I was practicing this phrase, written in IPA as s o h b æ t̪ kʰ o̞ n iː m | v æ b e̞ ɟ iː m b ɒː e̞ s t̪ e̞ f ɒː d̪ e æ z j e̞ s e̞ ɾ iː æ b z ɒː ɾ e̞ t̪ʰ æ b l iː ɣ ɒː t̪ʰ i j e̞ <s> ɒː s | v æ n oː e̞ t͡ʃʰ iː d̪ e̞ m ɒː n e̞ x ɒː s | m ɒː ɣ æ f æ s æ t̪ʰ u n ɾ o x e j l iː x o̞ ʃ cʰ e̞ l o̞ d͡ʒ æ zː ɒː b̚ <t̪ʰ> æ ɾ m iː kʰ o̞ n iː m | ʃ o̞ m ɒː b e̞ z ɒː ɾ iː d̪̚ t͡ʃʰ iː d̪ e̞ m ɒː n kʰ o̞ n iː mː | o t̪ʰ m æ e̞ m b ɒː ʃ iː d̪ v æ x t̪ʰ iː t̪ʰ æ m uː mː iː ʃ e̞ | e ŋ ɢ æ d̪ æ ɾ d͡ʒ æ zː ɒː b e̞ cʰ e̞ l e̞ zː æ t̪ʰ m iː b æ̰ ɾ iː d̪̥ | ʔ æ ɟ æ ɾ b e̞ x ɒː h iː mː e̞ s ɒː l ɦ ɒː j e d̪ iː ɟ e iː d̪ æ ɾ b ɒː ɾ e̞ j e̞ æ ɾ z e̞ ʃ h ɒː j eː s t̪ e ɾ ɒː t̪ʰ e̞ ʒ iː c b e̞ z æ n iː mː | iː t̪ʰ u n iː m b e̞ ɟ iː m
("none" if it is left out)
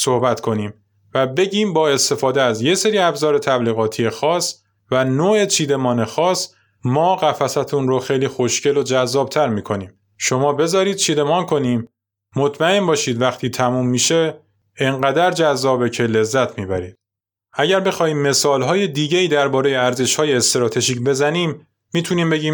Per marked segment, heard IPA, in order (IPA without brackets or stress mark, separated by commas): x, t̪ʰ